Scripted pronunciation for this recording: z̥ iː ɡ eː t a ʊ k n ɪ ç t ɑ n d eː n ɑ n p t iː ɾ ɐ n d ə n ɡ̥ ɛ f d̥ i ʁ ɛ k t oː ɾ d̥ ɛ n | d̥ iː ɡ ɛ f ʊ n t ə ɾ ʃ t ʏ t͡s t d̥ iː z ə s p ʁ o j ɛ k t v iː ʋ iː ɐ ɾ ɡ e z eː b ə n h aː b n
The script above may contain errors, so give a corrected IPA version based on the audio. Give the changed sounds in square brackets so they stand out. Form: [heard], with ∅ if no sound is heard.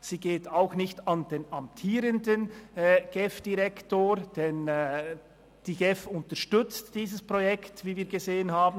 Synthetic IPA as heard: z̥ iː ɡ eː t a ʊ [x] n ɪ ç t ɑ n d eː n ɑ [m] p [tʰ] iː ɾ [ə] n d ə n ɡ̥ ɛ f d̥ i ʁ ɛ k t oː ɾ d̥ ɛ n | d̥ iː ɡ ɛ f ʊ n t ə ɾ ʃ t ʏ t͡s t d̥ iː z ə s p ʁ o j ɛ k t v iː [v] iː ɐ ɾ ɡ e z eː [∅] ə n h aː b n